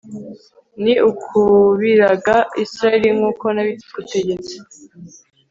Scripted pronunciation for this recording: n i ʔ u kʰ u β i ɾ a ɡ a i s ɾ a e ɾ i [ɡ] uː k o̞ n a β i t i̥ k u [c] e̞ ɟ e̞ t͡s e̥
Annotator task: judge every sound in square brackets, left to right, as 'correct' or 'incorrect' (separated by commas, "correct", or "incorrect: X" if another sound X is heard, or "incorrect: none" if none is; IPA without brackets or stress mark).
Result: incorrect: ŋ, incorrect: t